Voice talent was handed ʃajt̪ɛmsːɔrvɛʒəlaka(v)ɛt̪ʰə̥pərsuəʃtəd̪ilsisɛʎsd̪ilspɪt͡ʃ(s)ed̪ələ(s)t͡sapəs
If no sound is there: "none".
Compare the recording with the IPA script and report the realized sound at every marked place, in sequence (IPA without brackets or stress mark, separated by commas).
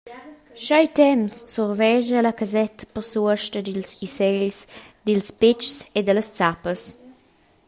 z, s, s